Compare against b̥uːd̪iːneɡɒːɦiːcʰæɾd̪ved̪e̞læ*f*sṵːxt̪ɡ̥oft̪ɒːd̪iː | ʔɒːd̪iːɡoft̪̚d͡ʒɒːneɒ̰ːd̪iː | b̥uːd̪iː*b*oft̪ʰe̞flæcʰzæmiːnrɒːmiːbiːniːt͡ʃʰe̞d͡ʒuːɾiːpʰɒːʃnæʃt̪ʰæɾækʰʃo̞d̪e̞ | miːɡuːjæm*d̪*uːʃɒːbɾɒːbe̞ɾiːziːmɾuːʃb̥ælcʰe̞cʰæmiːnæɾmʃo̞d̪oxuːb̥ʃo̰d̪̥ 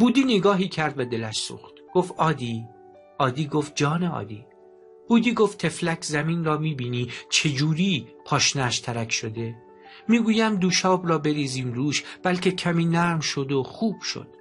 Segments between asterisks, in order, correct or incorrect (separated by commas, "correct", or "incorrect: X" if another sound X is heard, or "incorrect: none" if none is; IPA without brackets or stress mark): incorrect: ʃ, incorrect: ɡ, correct